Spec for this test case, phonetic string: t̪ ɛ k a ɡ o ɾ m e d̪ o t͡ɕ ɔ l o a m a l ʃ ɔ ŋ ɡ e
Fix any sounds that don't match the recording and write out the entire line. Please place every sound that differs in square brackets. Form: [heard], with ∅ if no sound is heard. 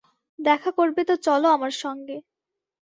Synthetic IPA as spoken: [d̪] ɛ [kʰ] a [k] o ɾ [b] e [t̪] o t͡ɕ ɔ l o a m a [ɾ] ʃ ɔ ŋ ɡ e